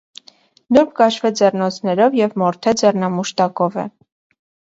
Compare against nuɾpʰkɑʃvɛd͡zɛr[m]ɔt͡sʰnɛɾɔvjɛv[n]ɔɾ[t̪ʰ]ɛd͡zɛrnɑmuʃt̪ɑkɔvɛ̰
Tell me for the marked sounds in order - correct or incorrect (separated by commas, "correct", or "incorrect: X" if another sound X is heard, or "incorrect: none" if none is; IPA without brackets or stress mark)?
incorrect: n, incorrect: m, correct